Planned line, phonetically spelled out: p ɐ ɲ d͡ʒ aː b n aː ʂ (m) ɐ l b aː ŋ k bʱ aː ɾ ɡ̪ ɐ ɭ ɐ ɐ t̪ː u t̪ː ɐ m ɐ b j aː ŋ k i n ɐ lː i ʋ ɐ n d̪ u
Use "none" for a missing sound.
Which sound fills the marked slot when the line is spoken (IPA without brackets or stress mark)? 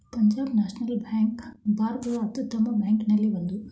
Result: n